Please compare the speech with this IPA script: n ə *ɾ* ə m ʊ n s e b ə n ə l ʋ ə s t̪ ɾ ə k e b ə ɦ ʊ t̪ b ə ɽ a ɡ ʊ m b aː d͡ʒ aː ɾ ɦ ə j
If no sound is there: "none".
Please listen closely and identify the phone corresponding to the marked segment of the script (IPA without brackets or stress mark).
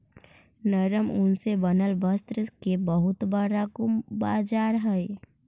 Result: ɾ